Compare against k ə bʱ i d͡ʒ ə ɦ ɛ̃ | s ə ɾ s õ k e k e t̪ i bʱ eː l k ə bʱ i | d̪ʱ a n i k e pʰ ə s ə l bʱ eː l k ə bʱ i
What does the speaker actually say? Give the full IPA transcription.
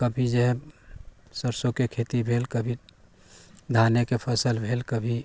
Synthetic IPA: k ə bʱ i d͡ʒ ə ɦ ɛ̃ | s ə ɾ s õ k e kʰ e t̪ i bʱ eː l k ə bʱ i | d̪ʱ a n e k e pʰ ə s ə l bʱ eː l k ə bʱ i